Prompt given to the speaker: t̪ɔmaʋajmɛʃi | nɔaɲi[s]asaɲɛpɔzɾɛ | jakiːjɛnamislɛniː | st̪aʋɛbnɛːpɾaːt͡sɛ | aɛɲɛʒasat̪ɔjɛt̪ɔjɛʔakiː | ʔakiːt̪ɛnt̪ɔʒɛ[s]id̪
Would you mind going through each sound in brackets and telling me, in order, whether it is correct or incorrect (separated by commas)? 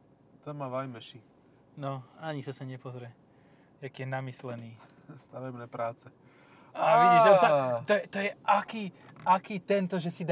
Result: correct, correct